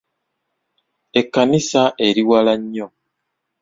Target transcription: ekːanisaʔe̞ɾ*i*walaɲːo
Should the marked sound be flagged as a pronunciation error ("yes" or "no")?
no